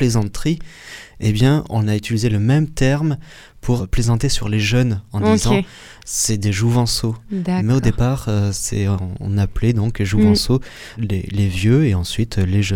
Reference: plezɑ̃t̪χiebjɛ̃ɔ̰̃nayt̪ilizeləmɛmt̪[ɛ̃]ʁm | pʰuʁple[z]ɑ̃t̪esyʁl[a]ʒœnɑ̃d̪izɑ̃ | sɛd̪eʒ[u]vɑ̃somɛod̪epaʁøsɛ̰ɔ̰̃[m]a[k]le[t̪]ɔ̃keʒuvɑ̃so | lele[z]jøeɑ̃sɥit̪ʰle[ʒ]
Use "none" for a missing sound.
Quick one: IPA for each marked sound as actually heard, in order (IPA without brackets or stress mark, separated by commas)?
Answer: ɛ, z, e, u, n, p, d̪, v, ʒ